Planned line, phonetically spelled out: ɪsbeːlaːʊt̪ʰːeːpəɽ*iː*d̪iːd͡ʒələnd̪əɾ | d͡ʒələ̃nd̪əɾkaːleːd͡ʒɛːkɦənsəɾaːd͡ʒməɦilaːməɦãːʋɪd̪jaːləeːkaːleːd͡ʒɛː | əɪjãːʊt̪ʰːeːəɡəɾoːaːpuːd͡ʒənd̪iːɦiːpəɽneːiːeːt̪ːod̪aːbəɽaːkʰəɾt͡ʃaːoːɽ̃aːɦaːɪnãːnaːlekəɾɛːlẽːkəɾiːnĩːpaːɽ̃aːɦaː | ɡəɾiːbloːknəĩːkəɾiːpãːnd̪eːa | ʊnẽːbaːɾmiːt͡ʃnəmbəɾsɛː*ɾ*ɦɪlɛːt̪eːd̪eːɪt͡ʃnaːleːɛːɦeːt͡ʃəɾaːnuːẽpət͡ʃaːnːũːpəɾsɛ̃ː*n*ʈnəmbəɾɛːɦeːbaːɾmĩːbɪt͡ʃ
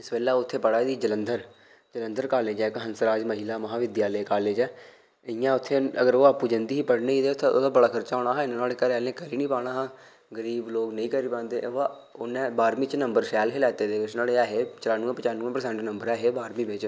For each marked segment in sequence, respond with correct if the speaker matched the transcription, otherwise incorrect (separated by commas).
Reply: incorrect, incorrect, incorrect